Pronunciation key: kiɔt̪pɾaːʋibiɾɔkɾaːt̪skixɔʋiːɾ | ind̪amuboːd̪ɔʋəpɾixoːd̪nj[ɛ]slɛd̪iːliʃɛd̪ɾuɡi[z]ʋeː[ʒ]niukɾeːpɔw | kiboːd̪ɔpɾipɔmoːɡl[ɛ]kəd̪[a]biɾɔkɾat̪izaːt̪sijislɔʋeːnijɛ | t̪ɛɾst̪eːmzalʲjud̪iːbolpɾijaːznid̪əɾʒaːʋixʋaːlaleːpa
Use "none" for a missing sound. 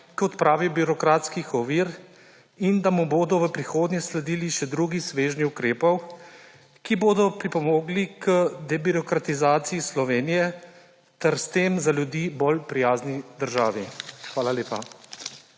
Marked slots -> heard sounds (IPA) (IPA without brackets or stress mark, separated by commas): ɛ, s, ʒ, i, ɛ